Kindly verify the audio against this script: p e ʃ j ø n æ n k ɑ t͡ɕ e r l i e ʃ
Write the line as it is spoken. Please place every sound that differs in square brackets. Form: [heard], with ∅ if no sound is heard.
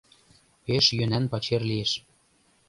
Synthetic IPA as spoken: p e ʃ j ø n æ n [p] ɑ t͡ɕ e r l i e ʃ